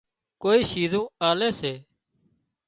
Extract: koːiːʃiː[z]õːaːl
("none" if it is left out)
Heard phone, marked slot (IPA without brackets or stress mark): z